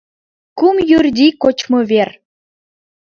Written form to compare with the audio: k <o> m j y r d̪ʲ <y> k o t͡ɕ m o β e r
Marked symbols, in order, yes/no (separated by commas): no, no